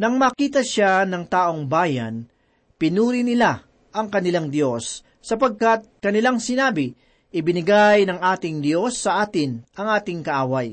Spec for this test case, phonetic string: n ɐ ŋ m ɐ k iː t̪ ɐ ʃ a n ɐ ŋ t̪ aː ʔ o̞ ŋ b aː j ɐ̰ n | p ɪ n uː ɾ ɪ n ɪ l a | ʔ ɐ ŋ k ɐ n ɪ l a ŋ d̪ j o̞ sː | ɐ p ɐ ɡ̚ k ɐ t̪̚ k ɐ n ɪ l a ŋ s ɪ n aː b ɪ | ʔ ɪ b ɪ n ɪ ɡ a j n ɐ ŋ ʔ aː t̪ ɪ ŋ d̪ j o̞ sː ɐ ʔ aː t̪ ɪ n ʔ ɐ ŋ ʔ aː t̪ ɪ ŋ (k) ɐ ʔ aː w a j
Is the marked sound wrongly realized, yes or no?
no